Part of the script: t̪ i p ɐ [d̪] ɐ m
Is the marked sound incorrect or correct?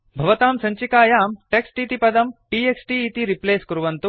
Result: correct